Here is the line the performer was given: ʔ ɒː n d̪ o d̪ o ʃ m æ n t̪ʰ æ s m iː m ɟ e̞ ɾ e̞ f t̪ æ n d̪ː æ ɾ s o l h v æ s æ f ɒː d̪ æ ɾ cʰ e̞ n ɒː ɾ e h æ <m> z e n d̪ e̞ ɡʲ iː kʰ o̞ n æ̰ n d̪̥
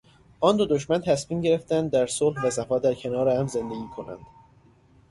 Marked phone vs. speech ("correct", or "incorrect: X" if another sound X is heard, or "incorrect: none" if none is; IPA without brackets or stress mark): correct